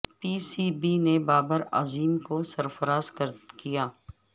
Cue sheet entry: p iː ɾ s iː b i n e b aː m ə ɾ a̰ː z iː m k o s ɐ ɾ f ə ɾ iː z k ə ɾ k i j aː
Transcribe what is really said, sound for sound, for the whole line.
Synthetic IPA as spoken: p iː s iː b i n e b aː b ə ɾ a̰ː z iː m k o s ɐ ɾ f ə ɾ aː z k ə ɾ k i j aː